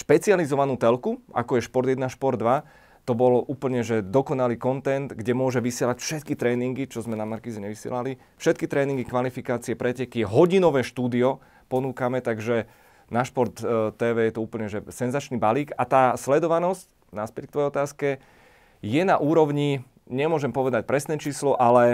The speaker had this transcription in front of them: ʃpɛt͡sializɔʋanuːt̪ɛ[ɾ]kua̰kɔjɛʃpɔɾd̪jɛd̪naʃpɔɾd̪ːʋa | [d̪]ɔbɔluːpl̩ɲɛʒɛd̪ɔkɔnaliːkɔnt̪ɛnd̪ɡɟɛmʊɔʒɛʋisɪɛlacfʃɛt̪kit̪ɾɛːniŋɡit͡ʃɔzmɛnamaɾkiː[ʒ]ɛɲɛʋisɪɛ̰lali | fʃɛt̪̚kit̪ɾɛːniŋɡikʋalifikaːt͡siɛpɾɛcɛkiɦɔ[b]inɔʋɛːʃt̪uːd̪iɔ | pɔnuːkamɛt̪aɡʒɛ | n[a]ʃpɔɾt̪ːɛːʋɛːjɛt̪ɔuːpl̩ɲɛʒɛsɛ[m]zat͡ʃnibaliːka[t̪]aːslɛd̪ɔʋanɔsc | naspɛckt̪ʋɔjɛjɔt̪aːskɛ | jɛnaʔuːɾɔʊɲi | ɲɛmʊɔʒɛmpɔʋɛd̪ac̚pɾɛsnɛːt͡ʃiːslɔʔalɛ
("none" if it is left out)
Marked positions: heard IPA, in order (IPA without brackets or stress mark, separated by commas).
l, t̪, z, ɟ, a, n, t̪